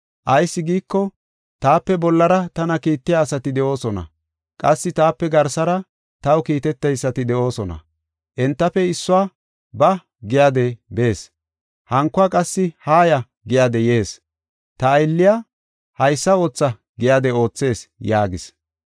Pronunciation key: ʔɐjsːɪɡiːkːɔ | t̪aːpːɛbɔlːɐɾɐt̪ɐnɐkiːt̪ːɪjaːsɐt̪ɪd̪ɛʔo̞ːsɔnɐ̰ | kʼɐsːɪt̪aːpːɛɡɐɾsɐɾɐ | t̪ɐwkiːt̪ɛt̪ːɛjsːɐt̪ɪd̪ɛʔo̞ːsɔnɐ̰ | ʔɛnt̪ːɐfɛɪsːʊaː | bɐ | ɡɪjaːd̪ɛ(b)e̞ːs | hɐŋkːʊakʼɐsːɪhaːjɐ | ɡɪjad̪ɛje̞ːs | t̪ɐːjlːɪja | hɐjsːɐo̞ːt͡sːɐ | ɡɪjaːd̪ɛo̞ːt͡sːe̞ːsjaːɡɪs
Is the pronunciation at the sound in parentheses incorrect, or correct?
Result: correct